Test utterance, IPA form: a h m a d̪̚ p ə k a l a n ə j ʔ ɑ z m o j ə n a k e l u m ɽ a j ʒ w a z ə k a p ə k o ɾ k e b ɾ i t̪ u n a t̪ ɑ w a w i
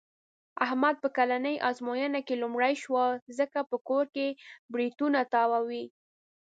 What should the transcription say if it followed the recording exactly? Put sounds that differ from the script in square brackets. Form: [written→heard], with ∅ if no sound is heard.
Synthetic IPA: a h m a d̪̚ p ə k a l a n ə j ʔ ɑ z m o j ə n a k e l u m ɽ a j [ʒ→ʃ] w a z ə k a p ə k o ɾ k e b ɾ i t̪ u n a t̪ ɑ w a w i

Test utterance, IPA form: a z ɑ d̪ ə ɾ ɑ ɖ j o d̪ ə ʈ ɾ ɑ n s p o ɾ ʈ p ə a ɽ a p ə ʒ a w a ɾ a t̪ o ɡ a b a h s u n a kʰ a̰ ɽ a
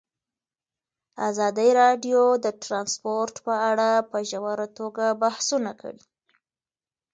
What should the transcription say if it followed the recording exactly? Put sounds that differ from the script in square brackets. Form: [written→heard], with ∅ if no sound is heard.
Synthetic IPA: a z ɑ d̪ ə ɾ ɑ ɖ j o d̪ ə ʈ ɾ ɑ n s p o ɾ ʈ p ə a ɽ a p ə ʒ a w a ɾ a t̪ o ɡ a b a h s u n a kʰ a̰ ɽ [a→i]

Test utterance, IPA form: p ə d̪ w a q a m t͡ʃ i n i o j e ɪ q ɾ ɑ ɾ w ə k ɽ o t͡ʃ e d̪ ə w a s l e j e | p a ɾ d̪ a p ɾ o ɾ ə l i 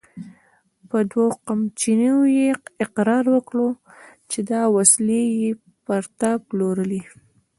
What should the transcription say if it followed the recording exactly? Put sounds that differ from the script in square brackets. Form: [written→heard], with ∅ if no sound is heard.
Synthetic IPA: p ə d̪ w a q a m t͡ʃ i n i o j e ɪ q ɾ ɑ ɾ w ə k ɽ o t͡ʃ e d̪ [ə→ɑ] w a s l e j e | p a ɾ [d̪→t̪] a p [ɾ→l] o ɾ ə l i

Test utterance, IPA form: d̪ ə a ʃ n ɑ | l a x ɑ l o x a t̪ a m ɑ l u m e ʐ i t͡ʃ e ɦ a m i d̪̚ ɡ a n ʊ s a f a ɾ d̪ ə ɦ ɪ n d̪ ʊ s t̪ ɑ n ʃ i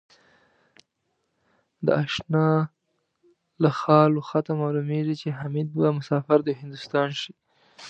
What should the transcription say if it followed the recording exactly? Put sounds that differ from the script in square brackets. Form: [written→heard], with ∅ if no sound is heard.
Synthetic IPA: d̪ ə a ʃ n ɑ | l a x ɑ l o x a t̪ a m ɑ l u m e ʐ i t͡ʃ e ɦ a m i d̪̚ [ɡ→b] a [n→m] ʊ s [a→ɑ] f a ɾ d̪ ə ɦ ɪ n d̪ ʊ s t̪ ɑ n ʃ i

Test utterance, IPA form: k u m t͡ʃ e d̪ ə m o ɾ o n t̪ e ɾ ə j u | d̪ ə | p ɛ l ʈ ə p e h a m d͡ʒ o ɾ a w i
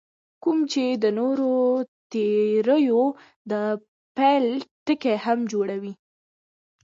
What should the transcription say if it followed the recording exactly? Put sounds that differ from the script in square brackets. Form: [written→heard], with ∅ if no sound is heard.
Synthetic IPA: k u m t͡ʃ e d̪ ə [m→n] o ɾ o [n→∅] t̪ e ɾ ə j [u→o] | d̪ ə | p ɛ l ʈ ə [p→k] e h a m d͡ʒ o [ɾ→ɽ] a w i

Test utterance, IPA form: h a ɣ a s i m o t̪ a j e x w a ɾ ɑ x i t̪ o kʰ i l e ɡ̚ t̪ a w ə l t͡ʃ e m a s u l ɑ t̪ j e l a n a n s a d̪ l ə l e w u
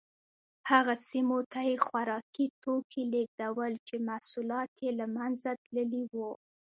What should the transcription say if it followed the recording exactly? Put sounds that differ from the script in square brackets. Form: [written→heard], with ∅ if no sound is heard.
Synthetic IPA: h a ɣ a s i m o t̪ a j e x w a ɾ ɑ [x→k] i t̪ o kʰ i l e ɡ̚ [t̪→d̪] a w ə l t͡ʃ e m a s u l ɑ t̪ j e l a [n→m] a n [s→z] a [d̪→t̪] l ə l [e→i] w u

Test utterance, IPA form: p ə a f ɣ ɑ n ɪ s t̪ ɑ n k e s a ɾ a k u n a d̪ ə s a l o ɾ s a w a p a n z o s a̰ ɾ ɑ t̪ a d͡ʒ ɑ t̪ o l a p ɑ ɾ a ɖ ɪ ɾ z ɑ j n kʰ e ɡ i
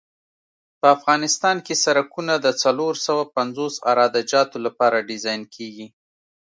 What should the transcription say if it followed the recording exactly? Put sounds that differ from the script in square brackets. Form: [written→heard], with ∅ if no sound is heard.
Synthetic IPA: p ə a f ɣ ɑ n ɪ s t̪ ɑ n k e s a ɾ a k u n a d̪ ə [s→t͡s] a l o ɾ s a w a p a n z o s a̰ ɾ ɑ [t̪→d̪] a d͡ʒ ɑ t̪ o l a p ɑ ɾ a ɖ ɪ [ɾ→∅] z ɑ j n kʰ e ɡ i

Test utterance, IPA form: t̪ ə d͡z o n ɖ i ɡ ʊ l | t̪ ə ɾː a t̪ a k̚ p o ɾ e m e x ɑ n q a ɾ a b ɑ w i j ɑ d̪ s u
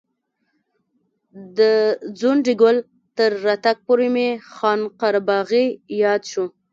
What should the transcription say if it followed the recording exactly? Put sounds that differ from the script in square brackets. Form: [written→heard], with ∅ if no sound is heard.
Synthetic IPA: [t̪→d̪] ə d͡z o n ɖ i ɡ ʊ l | t̪ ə ɾː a t̪ a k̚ p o ɾ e m e x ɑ n q a ɾ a b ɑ [w→ɣ] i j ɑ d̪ [s→ʃ] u

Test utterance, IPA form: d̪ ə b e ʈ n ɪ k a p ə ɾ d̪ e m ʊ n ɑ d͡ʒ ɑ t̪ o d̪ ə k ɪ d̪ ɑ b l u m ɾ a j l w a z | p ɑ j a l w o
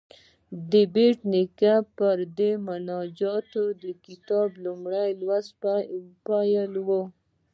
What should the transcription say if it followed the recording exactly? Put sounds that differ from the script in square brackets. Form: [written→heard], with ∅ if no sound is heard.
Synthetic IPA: d̪ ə b e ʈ n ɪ k a p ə ɾ d̪ e m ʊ n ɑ d͡ʒ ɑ t̪ o d̪ ə k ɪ [d̪→t̪] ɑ b l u m [ɾ→ɽ] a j l w a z | p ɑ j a l w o

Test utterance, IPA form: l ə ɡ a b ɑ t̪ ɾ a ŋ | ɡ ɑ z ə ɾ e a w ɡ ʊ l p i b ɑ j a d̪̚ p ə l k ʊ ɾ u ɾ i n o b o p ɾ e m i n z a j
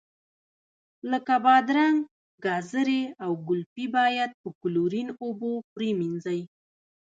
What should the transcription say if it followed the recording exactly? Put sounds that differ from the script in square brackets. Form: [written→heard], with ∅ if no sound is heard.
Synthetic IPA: l ə [ɡ→k] a b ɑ [t̪→d̪] ɾ a ŋ | ɡ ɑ z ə ɾ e a w ɡ ʊ l p i b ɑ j a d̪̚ p ə [l→∅] k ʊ [ɾ→l] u ɾ i n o b o p ɾ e m i n z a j

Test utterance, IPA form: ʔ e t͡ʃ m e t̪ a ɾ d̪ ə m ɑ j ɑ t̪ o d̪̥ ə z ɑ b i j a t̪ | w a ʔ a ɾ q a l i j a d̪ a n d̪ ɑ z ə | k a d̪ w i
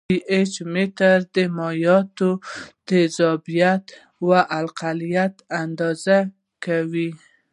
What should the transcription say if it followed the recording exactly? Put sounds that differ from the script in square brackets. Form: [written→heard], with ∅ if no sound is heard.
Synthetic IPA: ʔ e t͡ʃ m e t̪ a ɾ d̪ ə m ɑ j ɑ t̪ o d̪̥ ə z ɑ b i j a t̪ | w a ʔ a [ɾ→l] q a l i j a [d̪→t̪] a n d̪ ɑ z [ə→a] | k a [d̪→∅] w i

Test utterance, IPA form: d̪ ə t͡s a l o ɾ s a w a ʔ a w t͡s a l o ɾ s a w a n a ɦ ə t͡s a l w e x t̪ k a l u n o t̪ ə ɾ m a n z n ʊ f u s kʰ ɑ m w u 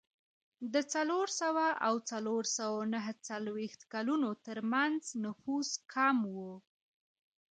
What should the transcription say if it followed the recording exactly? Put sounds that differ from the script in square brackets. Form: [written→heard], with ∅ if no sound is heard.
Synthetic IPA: d̪ ə t͡s a l o ɾ s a w a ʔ a w t͡s a l o ɾ s a w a n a ɦ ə t͡s a l w e x t̪ k a l u n o t̪ ə ɾ m a n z n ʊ f u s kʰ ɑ m w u

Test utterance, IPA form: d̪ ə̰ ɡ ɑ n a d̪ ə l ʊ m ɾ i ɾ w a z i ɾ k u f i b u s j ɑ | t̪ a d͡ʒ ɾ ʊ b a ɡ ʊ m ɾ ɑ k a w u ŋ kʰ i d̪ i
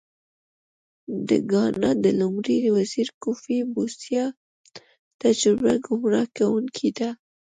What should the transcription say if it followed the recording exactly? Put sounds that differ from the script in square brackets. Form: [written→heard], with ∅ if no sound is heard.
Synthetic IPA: d̪ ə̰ ɡ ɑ n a d̪ ə l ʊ m ɾ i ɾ w a z i ɾ k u f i b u s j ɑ | t̪ a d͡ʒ ɾ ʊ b a ɡ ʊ m ɾ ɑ k a w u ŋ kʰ i d̪ [i→a]

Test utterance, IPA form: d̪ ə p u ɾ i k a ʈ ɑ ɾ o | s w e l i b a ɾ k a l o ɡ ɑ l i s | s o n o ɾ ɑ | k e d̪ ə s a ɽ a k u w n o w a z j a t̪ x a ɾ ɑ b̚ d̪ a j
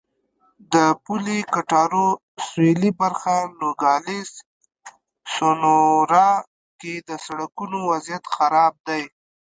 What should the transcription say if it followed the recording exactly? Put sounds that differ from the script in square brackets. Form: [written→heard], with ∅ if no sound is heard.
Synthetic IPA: d̪ ə p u [ɾ→l] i k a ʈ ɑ ɾ o | s w e l i b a ɾ [k→x] a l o ɡ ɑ l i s | s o n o ɾ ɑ | k e d̪ ə s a ɽ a k u [w→∅] n o w a z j a t̪ x a ɾ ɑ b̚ d̪ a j

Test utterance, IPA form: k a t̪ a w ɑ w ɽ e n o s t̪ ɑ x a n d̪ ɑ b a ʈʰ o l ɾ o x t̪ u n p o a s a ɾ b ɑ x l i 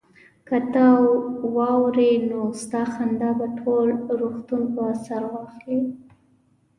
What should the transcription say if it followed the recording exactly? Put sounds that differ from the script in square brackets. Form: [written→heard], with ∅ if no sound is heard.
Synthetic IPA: k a t̪ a w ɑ w [ɽ→ɾ] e n o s t̪ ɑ x a n d̪ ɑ b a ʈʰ o l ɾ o x t̪ u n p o a s a ɾ [b→w] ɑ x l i

